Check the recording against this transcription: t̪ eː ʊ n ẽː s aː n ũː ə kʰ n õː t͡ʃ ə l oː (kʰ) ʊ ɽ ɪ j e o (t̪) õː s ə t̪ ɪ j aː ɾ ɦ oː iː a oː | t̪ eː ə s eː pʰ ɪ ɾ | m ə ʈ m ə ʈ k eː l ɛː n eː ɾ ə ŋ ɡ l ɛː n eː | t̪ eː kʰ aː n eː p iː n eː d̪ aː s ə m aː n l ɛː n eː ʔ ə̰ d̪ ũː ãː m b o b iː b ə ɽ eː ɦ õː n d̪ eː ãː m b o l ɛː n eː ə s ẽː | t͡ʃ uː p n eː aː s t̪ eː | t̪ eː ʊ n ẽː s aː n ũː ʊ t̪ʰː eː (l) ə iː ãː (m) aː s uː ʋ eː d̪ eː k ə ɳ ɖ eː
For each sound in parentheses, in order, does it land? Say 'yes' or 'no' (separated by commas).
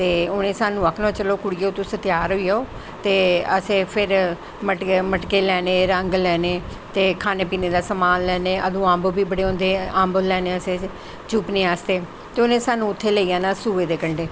no, yes, yes, no